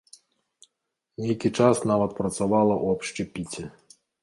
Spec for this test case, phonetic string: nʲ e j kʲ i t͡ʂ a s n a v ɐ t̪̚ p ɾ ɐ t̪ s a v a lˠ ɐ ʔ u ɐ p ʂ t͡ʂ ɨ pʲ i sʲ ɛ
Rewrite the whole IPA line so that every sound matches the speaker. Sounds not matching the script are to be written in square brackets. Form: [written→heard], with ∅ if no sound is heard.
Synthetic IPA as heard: nʲ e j kʲ i t͡ʂ a s n a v ɐ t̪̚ p ɾ ɐ t̪ s a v a lˠ ɐ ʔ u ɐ p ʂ t͡ʂ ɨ pʲ i [sʲ→t͡sʲ] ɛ